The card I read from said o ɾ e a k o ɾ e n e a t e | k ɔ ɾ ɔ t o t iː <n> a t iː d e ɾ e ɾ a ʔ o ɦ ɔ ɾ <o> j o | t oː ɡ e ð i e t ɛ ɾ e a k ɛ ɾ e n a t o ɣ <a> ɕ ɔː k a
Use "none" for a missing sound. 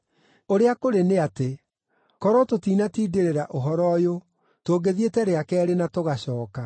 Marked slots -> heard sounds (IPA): n, ɔ, a

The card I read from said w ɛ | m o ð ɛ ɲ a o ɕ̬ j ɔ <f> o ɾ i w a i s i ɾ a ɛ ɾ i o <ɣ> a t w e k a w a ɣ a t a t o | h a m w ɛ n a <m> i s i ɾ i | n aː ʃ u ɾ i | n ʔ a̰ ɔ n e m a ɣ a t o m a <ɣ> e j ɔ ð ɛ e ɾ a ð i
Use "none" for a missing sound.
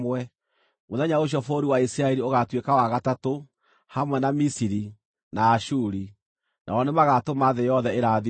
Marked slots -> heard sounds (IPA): f, ɣ, m, ð

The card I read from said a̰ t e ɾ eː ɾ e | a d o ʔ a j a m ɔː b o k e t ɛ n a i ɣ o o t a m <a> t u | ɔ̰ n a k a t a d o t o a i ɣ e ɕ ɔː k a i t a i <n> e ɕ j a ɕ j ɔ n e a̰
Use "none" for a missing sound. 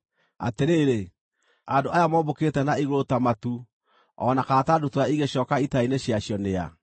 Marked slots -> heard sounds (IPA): a, n

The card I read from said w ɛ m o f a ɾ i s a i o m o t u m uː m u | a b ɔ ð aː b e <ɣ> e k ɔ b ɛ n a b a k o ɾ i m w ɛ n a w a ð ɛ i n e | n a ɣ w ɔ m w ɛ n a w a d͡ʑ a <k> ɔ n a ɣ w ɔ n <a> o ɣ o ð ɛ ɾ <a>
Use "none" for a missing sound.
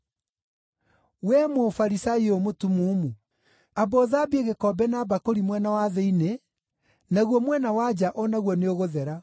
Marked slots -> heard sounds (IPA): ɣ, ʔ, e, a

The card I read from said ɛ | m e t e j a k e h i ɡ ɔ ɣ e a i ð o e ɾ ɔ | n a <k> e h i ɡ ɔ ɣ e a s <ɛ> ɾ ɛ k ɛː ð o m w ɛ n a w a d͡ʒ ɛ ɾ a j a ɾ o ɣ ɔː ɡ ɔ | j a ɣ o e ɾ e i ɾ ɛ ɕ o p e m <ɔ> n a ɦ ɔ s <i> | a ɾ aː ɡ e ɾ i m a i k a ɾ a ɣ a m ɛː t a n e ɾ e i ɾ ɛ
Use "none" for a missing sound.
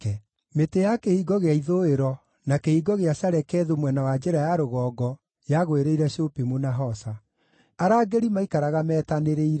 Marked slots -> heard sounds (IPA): k, a, o, a

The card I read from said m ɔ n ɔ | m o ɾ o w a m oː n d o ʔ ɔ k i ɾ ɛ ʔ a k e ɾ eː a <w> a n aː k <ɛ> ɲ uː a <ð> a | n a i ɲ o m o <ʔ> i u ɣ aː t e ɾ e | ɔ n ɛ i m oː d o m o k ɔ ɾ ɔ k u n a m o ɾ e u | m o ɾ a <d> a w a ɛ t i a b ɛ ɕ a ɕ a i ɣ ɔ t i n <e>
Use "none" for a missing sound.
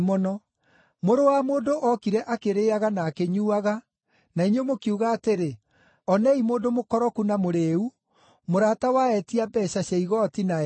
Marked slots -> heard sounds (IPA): ɣ, e, ɣ, k, t, a

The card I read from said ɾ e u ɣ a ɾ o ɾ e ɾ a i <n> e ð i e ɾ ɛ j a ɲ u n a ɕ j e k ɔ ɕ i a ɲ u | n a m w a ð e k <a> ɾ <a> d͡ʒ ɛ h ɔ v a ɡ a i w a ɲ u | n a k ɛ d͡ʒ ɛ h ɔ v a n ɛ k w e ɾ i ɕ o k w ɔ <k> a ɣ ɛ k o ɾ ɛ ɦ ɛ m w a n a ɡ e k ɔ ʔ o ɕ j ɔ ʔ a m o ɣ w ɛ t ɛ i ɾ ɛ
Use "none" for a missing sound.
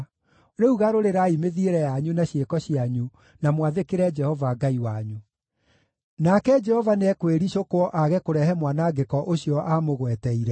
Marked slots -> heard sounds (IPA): m, e, ɛ, ʔ

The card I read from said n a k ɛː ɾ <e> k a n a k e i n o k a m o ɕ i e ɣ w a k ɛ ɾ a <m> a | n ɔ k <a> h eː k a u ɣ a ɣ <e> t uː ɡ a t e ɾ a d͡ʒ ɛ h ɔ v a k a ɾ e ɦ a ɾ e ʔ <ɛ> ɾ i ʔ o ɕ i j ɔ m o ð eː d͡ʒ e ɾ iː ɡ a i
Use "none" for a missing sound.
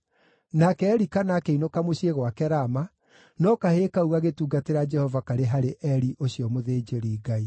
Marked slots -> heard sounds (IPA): i, m, a, e, ɛ

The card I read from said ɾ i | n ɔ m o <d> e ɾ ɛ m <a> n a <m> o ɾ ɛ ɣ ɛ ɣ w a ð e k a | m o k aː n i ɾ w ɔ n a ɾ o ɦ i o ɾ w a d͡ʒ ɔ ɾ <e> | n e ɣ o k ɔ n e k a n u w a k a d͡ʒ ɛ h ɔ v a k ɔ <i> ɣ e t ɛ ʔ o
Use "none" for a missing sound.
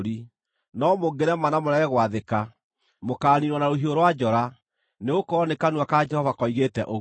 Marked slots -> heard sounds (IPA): ɡ, a, m, a, i

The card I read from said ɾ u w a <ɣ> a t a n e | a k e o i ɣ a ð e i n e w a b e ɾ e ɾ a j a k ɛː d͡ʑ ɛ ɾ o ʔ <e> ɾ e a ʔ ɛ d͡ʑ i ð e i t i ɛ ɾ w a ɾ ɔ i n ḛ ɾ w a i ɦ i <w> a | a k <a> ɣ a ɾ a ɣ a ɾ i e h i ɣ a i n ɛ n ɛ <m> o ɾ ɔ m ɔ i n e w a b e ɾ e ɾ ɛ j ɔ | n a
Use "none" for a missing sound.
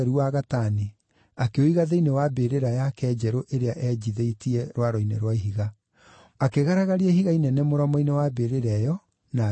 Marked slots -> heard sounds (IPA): ɣ, e, ɣ, e, m

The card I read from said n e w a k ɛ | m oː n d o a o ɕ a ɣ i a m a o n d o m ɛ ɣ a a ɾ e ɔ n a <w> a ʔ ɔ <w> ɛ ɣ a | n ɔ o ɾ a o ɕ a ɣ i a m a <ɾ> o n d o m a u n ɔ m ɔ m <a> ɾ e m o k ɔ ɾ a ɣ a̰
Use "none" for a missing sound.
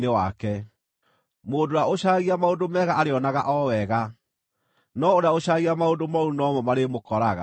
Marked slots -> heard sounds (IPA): ɣ, w, none, a

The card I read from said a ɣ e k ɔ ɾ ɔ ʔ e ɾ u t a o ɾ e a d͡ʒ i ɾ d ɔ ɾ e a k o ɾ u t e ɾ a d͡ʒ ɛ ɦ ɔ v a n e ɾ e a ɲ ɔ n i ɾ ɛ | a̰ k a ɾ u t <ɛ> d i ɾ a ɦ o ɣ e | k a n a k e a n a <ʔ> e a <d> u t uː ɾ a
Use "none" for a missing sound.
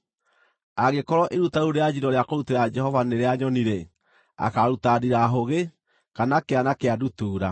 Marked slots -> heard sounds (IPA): a, k, d

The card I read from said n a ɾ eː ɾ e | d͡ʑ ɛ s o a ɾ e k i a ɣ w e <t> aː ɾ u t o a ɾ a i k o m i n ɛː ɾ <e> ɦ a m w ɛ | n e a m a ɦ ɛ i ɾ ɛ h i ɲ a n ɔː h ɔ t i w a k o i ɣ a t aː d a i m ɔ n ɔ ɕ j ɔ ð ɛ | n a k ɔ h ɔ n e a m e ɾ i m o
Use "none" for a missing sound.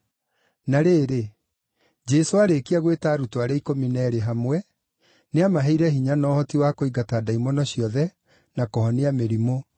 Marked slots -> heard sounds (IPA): t, e

